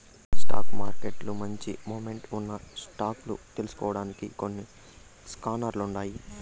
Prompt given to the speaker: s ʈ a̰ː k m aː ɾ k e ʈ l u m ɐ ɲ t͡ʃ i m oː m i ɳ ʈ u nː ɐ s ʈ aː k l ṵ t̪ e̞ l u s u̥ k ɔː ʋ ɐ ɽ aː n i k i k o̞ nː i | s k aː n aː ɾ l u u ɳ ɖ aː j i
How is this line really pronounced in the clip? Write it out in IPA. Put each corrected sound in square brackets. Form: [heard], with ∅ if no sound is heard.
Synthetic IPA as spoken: s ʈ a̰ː k m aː ɾ k e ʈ l u m ɐ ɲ t͡ʃ i m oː m [e] ɳ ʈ u nː ɐ s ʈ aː k l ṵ t̪ e̞ l u s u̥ k ɔː ʋ ɐ ɽ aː n i k i k o̞ nː i | s k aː n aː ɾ l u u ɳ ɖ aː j i